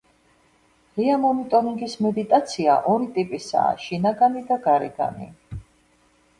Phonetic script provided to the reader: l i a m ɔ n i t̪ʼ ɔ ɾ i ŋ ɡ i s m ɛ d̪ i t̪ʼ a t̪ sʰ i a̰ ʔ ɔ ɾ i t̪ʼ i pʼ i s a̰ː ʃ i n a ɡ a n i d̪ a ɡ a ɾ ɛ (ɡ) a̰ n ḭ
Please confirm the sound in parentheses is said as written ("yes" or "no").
yes